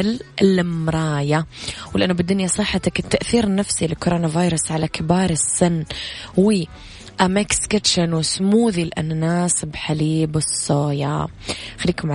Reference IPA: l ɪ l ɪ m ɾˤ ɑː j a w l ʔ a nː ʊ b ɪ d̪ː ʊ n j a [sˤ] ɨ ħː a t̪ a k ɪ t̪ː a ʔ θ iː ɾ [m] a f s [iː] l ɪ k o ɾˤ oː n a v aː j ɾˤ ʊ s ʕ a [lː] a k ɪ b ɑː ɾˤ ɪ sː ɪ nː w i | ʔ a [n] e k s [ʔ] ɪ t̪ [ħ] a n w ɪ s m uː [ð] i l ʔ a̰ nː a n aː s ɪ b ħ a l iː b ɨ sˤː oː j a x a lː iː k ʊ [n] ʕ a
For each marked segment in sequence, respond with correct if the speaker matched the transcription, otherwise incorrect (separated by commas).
correct, incorrect, incorrect, incorrect, incorrect, incorrect, incorrect, correct, incorrect